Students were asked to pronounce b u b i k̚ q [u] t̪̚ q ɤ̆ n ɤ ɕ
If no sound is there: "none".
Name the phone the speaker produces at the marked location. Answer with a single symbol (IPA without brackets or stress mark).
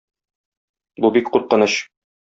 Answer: u